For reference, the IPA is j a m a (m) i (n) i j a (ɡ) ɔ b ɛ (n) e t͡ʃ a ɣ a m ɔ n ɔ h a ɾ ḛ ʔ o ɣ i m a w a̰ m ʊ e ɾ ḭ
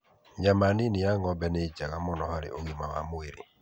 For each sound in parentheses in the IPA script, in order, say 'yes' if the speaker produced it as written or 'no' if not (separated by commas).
no, yes, no, yes